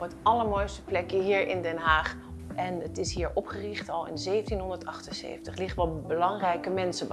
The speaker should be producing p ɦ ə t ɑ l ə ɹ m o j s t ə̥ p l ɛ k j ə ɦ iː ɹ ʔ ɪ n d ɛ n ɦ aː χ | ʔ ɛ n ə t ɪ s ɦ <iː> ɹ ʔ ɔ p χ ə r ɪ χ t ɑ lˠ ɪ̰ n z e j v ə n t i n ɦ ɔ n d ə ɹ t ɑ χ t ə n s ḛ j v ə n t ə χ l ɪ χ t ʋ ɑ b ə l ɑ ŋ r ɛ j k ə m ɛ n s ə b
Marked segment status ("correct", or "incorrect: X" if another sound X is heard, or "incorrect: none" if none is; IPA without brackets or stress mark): correct